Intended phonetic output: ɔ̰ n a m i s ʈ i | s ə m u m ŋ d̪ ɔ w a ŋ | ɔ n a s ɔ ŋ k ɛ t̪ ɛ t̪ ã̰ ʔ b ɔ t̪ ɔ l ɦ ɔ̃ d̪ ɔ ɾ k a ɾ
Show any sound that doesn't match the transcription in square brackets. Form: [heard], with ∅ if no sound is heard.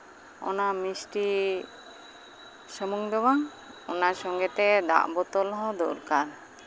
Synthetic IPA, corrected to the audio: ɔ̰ n a m i s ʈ i | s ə m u [∅] ŋ d̪ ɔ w a ŋ | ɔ n a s ɔ ŋ [ɡ] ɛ t̪ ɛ [d̪] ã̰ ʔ b ɔ t̪ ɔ l ɦ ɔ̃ d̪ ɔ ɾ k a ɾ